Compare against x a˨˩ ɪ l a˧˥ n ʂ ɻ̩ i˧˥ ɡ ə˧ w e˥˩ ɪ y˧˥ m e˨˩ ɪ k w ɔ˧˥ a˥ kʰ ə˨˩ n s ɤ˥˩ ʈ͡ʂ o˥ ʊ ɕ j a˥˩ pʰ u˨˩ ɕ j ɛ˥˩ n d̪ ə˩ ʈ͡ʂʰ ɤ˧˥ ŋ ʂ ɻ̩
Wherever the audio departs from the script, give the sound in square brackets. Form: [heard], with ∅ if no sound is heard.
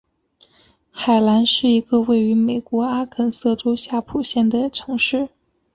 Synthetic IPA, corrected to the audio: x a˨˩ ɪ l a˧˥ n ʂ ɻ̩ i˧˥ ɡ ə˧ w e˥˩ ɪ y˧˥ m e˨˩ ɪ k w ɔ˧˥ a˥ kʰ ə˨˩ n s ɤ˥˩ ʈ͡ʂ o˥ ʊ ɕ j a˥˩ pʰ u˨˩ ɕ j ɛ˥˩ n d̪ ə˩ ʈ͡ʂʰ ɤ˧˥ ŋ ʂ ɻ̩